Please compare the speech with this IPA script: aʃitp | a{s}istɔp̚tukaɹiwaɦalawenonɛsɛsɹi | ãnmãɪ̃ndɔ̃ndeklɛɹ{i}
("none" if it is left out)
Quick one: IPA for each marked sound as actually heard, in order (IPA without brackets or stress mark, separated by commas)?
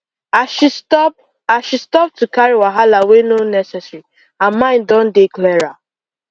ʃ, a